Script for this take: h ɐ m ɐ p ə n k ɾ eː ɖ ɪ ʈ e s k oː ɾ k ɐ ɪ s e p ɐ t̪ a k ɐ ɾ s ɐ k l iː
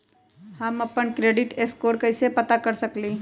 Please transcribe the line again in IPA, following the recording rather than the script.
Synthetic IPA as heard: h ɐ m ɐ p ə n k ɾ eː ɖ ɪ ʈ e s k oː ɾ k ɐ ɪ s e p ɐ t̪ a k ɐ ɾ s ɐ k l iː